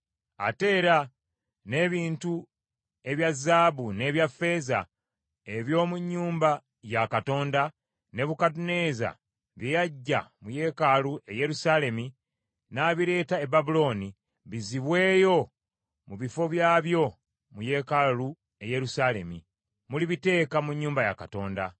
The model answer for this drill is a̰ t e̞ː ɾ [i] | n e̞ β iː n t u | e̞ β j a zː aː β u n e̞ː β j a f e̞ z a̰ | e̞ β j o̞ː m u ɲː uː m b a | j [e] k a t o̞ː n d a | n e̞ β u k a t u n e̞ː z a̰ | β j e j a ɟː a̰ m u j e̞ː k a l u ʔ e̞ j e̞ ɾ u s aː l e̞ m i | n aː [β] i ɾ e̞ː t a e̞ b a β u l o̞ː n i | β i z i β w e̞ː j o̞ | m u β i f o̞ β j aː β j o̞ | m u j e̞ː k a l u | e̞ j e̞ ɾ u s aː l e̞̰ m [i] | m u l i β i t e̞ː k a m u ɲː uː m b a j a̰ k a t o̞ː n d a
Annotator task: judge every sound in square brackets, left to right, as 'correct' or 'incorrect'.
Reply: incorrect: a, incorrect: a, correct, correct

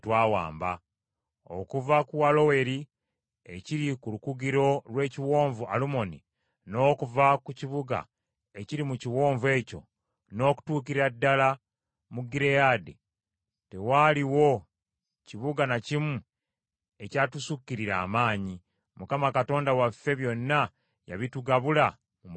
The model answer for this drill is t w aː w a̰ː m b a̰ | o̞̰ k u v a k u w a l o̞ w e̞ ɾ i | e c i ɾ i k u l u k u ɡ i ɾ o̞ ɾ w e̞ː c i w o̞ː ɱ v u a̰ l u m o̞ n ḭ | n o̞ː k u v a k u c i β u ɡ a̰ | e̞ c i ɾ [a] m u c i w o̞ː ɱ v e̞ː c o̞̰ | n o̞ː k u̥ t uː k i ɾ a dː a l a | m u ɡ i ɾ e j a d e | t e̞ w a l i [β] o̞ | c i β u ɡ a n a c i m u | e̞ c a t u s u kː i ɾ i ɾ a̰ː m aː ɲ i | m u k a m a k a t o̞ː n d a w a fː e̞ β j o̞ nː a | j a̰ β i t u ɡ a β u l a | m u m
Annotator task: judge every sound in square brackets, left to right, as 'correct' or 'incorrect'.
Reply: incorrect: i, incorrect: w

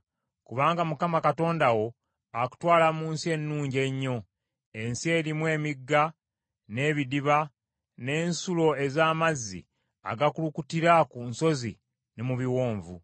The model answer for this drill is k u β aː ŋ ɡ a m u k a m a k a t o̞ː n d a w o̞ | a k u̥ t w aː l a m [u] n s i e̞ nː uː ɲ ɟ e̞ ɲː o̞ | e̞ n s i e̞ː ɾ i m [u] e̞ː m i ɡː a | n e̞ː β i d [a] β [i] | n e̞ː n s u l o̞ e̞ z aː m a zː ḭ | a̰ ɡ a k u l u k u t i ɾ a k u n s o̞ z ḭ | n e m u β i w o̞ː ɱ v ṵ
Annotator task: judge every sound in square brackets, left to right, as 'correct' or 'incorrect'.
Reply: incorrect: uː, incorrect: w, incorrect: i, incorrect: a

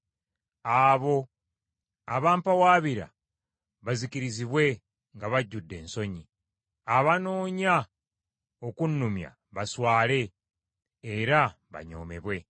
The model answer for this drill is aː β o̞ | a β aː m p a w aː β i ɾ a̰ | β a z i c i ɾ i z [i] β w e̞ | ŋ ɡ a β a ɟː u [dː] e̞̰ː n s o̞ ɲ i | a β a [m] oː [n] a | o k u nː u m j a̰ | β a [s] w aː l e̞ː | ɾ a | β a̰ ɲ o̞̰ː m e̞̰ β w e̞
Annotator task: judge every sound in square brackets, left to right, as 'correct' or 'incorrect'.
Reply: correct, correct, incorrect: n, incorrect: ɲ, correct

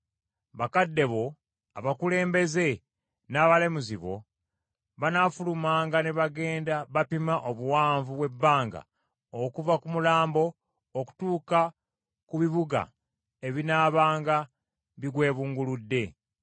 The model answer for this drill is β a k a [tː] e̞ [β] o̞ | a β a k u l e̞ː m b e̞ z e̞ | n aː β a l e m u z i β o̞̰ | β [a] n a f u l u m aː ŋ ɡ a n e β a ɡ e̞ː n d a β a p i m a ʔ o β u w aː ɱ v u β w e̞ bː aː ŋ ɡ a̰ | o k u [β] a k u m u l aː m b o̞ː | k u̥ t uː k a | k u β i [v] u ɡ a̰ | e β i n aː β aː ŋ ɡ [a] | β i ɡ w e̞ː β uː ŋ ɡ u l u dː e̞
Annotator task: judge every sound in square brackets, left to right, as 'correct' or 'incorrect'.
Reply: incorrect: dː, correct, correct, incorrect: v, incorrect: β, correct

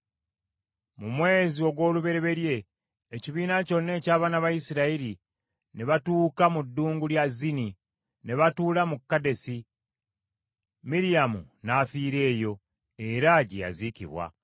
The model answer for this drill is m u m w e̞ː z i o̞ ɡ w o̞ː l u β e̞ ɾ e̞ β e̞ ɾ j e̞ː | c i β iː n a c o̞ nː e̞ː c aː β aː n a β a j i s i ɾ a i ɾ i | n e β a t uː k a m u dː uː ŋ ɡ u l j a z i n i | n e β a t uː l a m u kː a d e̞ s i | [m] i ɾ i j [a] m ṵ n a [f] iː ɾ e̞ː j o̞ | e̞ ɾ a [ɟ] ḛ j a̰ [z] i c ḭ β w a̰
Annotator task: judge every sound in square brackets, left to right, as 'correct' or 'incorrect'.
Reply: correct, correct, correct, correct, correct

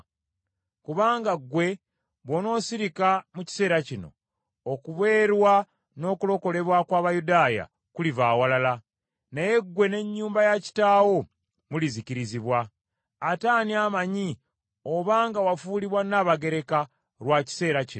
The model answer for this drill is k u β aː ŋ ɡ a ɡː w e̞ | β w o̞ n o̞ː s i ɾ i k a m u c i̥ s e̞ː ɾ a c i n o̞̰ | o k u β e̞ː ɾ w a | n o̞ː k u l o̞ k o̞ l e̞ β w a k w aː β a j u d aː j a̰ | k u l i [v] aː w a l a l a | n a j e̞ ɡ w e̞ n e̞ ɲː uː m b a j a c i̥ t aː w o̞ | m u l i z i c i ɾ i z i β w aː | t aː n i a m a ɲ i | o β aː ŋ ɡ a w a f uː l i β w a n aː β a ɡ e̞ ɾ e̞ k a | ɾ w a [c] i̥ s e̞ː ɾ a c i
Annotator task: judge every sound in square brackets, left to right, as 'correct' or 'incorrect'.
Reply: correct, correct

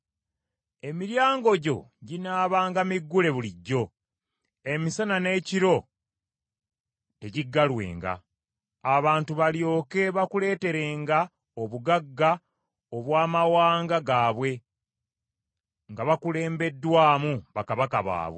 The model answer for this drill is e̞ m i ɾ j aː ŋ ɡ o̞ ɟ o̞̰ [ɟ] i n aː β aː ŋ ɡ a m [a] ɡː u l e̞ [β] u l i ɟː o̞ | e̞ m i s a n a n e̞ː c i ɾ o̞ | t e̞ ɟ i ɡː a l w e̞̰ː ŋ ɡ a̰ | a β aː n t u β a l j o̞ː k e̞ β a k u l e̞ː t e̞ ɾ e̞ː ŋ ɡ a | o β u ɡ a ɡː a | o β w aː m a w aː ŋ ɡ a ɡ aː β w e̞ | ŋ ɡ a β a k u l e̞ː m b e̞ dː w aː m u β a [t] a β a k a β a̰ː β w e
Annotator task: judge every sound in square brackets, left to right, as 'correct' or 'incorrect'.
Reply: correct, incorrect: i, correct, incorrect: k

